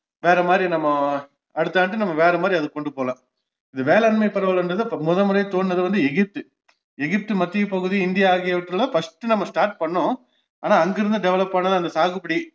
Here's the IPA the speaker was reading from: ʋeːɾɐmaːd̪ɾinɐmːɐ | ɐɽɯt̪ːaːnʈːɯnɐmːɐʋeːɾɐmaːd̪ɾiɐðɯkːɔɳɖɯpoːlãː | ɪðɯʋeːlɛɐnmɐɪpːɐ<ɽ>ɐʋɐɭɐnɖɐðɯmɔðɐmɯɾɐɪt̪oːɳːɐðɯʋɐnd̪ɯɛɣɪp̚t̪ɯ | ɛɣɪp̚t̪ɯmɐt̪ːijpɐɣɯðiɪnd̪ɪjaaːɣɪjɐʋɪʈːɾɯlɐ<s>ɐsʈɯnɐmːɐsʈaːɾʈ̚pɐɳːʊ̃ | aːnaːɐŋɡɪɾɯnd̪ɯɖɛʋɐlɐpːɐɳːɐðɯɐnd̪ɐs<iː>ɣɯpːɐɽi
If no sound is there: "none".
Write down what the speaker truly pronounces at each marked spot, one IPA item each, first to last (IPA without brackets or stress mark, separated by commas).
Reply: ɾ, f, aː